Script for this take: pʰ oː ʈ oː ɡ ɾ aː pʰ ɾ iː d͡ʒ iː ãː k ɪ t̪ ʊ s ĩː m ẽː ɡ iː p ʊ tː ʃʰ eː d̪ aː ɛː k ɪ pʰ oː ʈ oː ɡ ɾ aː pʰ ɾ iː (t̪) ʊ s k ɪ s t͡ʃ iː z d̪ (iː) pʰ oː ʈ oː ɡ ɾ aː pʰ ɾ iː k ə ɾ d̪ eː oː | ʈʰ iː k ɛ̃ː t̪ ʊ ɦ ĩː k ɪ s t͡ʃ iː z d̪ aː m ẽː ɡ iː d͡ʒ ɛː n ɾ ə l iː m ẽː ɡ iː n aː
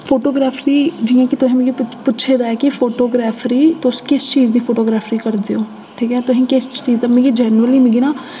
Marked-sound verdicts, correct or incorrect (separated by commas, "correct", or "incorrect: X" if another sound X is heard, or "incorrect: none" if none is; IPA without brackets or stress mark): correct, correct